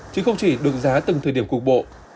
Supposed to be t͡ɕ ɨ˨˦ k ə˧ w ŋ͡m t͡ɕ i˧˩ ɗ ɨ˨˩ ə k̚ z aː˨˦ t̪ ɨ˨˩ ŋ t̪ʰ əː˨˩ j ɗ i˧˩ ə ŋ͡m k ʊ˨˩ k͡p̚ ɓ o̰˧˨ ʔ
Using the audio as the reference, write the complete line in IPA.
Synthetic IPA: t͡ɕ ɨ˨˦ x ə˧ w ŋ͡m t͡ɕ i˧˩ ɗ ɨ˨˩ ə k̚ z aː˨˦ t̪ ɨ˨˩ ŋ t̪ʰ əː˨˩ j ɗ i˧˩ ə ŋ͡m k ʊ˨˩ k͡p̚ ɓ o̰˧˨ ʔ